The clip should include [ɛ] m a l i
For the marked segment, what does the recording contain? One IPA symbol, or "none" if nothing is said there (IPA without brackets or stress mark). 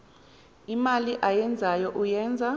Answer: i